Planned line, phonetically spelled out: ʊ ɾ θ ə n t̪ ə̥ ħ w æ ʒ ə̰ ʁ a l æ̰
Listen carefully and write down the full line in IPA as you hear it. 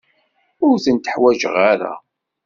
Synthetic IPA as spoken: ʊ ɾ θ ə n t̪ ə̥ ħ w æ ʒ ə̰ ʁ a ɾ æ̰

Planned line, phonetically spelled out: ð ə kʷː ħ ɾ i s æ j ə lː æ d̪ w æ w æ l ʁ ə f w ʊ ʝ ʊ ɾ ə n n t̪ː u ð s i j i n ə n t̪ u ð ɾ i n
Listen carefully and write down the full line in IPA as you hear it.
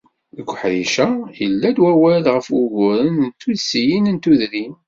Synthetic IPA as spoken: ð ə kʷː ħ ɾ i ʃ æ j ə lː æ d̪ w æ w æ l ʁ ə f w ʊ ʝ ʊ ɾ ə n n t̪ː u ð s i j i n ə n t̪ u ð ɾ i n

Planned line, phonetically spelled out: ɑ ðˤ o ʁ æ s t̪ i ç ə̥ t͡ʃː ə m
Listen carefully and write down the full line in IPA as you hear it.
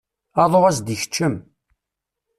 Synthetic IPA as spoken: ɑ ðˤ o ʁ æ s d̪ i ç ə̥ t͡ʃː ə m

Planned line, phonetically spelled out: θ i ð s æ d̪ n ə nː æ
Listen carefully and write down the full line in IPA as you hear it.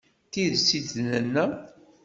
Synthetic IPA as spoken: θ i ð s i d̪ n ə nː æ

